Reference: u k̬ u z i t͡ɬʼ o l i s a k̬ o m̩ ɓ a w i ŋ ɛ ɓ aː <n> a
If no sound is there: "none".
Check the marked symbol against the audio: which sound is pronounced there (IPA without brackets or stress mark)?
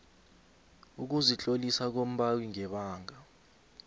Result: ŋ